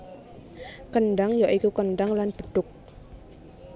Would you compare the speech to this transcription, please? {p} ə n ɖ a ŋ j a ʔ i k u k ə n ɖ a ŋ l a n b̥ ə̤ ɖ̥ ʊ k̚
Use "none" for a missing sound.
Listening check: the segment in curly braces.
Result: k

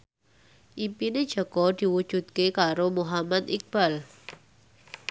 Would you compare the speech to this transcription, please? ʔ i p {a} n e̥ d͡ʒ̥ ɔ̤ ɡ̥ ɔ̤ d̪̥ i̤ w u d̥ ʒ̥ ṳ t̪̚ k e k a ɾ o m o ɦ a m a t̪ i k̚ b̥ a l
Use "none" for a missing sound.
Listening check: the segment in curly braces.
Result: i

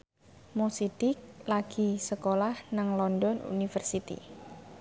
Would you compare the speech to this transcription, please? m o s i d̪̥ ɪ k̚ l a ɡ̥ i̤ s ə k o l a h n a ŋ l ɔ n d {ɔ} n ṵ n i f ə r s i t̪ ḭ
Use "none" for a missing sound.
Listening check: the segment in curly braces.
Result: ɔ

